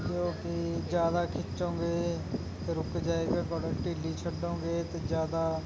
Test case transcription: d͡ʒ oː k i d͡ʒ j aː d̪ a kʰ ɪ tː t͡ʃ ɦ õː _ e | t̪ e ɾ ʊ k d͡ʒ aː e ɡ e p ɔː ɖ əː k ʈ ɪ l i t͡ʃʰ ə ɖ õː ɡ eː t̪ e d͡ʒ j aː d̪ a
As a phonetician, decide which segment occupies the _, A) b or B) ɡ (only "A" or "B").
B